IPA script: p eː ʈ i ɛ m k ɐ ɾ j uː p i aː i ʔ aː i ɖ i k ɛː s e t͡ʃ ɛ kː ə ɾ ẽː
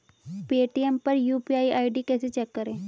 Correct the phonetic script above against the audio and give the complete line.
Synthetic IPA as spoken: p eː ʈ i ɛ m p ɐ ɾ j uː p i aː i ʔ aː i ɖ i k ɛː s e t͡ʃ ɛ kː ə ɾ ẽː